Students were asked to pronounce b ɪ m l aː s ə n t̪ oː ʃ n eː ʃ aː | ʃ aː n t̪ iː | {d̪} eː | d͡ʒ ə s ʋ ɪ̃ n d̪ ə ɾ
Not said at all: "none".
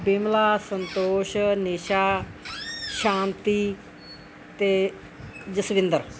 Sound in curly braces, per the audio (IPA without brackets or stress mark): t̪